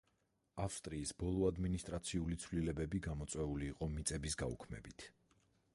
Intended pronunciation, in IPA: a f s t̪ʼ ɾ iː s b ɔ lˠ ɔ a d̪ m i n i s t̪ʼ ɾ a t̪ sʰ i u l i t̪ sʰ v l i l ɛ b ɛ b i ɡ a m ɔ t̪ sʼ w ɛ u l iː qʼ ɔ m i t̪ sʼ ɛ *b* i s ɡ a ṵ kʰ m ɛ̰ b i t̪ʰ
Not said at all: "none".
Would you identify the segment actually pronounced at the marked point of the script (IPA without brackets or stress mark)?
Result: b